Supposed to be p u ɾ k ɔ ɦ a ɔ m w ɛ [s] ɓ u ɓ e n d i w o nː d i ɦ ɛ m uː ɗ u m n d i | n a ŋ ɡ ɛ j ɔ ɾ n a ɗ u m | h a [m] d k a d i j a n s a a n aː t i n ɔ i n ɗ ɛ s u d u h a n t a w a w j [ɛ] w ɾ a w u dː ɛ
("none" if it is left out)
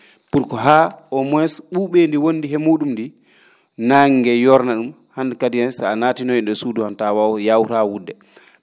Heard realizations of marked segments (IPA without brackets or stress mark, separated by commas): s, n, a